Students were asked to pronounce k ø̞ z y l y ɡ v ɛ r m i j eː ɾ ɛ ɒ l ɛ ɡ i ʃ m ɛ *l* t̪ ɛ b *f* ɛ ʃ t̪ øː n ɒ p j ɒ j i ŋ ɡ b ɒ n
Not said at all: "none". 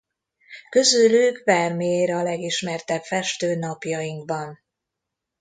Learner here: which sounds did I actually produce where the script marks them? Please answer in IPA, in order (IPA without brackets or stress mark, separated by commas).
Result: r, f